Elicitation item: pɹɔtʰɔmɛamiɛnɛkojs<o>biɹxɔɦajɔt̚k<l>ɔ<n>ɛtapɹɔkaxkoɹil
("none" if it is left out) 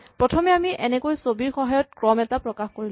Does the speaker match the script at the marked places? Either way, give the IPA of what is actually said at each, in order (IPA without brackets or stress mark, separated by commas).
o, ɹ, m